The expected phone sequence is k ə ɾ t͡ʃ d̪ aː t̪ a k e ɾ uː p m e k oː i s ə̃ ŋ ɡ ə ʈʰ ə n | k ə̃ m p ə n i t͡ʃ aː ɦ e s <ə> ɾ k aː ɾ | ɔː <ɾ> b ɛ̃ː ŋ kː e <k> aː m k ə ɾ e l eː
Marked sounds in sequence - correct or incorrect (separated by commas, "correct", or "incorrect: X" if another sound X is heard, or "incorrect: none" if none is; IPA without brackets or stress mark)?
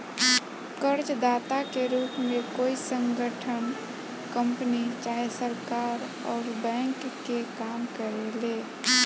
correct, correct, correct